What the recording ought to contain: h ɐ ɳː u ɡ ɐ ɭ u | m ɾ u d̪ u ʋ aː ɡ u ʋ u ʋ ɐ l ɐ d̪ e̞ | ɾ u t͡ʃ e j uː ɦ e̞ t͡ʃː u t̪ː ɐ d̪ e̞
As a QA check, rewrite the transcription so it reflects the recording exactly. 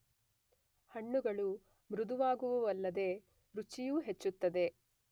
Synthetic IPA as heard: h ɐ ɳː u ɡ ɐ ɭ u | m ɾ u d̪ u ʋ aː ɡ u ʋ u ʋ ɐ lː ɐ d̪ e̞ | ɾ u t͡ʃ i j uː ɦ e̞ t͡ʃː u t̪ː ɐ d̪ e̞